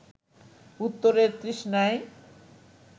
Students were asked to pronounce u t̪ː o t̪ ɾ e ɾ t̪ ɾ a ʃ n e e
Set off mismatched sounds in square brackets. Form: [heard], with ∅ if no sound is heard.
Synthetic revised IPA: u t̪ː o [∅] ɾ e ɾ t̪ ɾ [i] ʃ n [a] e